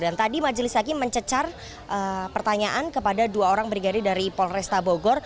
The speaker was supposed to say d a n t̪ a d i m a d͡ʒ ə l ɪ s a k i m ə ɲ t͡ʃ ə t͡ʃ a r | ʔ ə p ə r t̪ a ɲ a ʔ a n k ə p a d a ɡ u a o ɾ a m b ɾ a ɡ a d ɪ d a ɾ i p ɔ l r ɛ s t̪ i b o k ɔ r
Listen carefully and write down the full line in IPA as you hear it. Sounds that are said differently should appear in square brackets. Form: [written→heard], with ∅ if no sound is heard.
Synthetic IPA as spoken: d a n t̪ a d i m a d͡ʒ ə l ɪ s a k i m ə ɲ t͡ʃ ə t͡ʃ a r | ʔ ə p ə r t̪ a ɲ a ʔ a n k ə p a d a [ɡ→d] u a o ɾ a [m→ŋ] b ɾ [a→i] ɡ a d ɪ d a ɾ i p ɔ l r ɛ s t̪ [i→a] b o [k→ɡ] ɔ r